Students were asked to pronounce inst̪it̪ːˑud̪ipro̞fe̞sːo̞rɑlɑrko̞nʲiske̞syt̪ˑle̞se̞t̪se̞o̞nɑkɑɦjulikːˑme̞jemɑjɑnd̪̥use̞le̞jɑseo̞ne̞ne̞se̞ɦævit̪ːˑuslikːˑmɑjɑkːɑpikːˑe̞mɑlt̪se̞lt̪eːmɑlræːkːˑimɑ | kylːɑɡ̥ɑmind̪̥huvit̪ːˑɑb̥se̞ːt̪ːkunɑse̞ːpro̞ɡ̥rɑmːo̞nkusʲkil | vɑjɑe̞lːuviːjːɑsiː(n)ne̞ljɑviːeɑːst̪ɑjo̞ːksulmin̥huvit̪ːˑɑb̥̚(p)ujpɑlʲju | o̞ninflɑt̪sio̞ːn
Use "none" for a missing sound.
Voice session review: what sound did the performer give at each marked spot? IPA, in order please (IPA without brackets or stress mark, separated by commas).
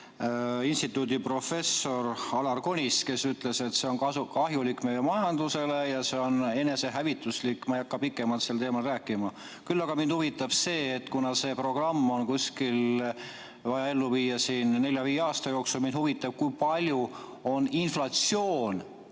n, k